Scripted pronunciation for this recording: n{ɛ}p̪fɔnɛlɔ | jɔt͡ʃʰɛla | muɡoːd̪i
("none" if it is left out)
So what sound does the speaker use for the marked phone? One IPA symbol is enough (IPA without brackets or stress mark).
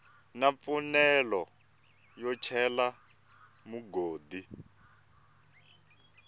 a